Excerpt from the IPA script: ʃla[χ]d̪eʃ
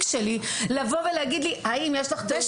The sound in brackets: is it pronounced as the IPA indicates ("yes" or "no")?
yes